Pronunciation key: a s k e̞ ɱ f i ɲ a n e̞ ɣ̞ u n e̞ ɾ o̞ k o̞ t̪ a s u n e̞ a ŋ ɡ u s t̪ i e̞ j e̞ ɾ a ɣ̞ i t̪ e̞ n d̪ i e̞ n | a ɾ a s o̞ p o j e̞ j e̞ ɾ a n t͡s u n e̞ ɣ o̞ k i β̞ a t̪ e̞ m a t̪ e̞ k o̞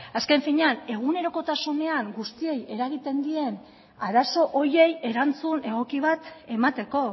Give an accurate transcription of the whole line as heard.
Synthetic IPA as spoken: a s k e̞ ɱ f i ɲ a n e̞ ɣ̞ u n e̞ ɾ o̞ k o̞ t̪ a s u n e̞ a ŋ ɡ u s t̪ i e̞ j e̞ ɾ a ɣ̞ i t̪ e̞ n d̪ i e̞ n | a ɾ a s o̞ ʔ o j e̞ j e̞ ɾ a n t͡s u n e̞ ɣ o̞ k i β̞ a t̪ e̞ m a t̪ e̞ k o̞